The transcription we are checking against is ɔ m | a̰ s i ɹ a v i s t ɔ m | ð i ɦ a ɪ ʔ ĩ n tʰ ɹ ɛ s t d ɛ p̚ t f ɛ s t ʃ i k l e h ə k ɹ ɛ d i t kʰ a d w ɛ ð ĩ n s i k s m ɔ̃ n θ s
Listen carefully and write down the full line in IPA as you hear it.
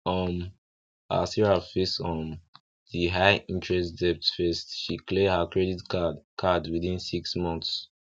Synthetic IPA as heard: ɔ m | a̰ s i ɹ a f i s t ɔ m | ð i ɦ a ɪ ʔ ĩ n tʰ ɹ ɛ s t d ɛ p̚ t f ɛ s t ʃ i k l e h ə k ɹ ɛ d i t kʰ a d w i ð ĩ n s i k s m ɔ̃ n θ s